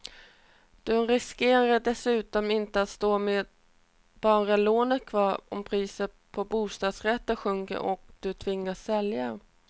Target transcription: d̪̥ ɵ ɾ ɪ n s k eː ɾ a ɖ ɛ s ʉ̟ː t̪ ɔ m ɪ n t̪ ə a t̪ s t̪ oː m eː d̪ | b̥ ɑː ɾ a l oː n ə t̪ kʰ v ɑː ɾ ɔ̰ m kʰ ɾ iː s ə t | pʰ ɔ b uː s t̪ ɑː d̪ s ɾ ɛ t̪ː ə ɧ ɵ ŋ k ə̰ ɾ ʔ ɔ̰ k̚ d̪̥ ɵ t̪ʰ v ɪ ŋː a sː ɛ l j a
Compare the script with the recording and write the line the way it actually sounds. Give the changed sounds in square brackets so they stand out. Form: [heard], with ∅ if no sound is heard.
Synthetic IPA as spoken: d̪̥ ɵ ɾ ɪ [∅] s k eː ɾ a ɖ ɛ s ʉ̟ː t̪ ɔ m ɪ n t̪ ə a t̪ s t̪ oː m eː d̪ | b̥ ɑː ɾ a l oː n ə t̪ kʰ v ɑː ɾ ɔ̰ m [pʰ] ɾ iː s ə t | pʰ ɔ b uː s t̪ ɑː d̪ s ɾ ɛ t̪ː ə ɧ ɵ ŋ k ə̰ ɾ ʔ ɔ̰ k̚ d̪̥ ɵ t̪ʰ v ɪ ŋː a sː ɛ l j a